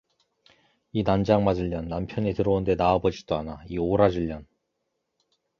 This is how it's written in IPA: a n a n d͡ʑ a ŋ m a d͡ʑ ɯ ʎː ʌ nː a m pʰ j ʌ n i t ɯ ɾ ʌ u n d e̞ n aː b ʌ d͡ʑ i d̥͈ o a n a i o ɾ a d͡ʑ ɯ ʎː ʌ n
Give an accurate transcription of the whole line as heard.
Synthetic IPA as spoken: i n a n d͡ʑ a ŋ m a d͡ʑ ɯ ʎː ʌ nː a m pʰ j ʌ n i t ɯ ɾ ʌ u n d e̞ n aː b ʌ d͡ʑ i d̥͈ o a n a i o ɾ a d͡ʑ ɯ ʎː ʌ n